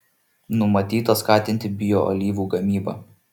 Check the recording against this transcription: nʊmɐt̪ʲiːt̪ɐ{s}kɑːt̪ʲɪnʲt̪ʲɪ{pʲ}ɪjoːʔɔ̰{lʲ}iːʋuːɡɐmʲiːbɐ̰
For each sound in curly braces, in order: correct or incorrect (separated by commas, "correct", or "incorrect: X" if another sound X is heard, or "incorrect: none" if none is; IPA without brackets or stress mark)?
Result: correct, incorrect: bʲ, correct